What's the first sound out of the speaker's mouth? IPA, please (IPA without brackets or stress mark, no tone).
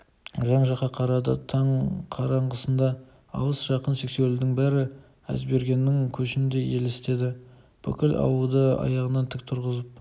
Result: ʒ